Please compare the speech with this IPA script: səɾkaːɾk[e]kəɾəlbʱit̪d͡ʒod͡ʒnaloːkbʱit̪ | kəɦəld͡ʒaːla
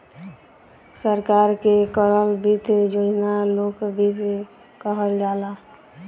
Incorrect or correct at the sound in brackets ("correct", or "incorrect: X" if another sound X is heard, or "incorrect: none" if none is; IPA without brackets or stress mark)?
correct